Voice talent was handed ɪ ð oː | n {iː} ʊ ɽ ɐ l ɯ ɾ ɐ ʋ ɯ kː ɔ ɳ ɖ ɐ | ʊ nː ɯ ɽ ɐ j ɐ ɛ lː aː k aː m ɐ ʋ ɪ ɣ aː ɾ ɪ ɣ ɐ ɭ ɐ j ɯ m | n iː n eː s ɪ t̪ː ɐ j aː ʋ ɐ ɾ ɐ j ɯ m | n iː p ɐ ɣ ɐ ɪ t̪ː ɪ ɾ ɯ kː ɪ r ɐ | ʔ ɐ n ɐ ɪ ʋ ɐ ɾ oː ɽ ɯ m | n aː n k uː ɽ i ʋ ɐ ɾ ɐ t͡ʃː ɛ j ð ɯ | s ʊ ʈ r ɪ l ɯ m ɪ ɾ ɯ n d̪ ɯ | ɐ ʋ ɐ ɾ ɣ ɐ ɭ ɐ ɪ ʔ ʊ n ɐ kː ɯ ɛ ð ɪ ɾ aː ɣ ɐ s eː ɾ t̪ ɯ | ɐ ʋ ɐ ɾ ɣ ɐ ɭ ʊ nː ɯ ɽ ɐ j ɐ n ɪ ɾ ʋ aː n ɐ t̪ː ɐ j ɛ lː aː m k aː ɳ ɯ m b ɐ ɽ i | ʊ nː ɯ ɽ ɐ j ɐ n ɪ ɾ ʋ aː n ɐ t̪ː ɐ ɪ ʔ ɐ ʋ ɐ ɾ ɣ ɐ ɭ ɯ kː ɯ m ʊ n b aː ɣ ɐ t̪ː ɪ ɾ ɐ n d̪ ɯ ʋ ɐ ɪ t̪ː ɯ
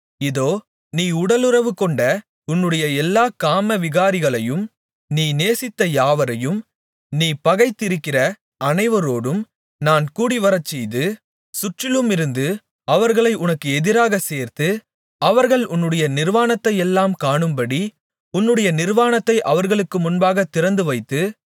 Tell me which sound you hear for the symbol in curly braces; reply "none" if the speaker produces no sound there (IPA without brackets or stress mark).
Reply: iː